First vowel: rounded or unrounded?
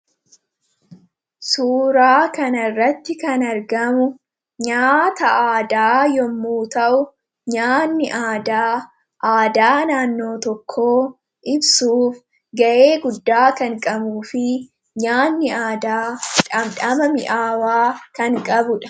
rounded